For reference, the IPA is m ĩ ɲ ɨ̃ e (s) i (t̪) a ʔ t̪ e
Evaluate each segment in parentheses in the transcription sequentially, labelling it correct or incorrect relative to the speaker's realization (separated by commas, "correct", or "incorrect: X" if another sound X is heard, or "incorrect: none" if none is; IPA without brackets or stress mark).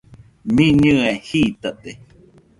incorrect: h, correct